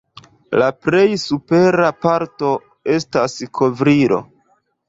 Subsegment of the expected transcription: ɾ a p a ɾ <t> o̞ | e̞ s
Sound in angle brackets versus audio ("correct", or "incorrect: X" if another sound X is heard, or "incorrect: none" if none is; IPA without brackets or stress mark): correct